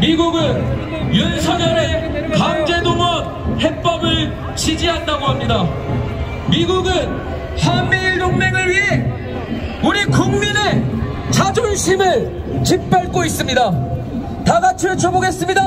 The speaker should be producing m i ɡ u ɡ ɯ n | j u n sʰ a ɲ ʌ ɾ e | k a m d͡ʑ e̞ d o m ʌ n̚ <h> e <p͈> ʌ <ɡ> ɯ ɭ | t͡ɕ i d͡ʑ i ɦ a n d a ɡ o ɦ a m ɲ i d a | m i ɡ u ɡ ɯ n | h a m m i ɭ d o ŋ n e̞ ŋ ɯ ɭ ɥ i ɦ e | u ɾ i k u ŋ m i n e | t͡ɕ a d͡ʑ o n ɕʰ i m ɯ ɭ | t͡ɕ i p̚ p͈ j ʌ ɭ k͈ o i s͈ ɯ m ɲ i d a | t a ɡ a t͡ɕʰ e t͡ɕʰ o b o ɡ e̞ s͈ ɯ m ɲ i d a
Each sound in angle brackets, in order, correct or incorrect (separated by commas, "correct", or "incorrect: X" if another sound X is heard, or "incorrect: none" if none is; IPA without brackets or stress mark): correct, correct, incorrect: b